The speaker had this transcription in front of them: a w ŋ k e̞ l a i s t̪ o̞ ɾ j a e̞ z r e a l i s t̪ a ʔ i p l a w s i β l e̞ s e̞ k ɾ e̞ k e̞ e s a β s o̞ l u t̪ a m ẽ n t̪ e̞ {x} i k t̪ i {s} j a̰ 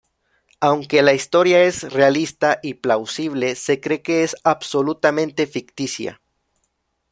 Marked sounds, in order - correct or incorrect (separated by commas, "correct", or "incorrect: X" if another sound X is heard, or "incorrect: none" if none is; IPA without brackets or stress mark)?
incorrect: f, correct